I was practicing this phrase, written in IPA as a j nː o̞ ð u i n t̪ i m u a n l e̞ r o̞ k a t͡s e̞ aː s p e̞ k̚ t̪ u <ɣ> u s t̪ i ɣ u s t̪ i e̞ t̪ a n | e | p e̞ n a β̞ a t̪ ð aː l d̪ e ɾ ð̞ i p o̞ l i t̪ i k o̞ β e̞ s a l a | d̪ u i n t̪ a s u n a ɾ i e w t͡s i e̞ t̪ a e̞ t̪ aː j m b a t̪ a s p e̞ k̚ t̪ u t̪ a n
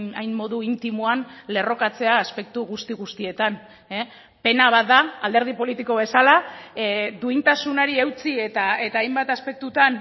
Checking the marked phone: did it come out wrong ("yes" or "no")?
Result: no